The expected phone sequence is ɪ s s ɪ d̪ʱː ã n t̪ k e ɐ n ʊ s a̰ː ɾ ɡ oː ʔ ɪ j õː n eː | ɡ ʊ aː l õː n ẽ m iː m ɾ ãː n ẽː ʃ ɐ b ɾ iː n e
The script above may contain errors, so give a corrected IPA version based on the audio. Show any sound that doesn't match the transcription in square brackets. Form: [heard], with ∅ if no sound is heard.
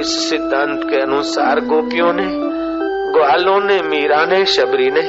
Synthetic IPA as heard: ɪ s s ɪ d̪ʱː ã n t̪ k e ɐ n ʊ s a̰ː ɾ ɡ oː [p] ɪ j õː n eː | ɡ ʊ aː l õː n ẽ m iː [∅] ɾ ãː n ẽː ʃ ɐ b ɾ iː n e